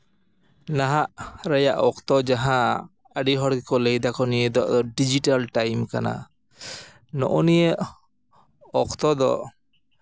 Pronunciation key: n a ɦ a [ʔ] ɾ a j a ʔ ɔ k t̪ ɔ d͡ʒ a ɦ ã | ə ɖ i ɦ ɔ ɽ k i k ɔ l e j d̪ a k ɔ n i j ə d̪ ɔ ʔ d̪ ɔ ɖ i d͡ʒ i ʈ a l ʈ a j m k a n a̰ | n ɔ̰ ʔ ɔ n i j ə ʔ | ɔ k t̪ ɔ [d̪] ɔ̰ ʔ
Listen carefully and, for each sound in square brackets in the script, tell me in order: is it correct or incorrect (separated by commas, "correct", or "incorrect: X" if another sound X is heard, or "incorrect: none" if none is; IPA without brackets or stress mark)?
correct, correct